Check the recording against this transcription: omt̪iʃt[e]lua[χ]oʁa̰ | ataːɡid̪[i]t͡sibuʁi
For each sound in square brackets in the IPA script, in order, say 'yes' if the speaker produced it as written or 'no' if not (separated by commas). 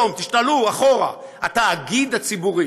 no, yes, no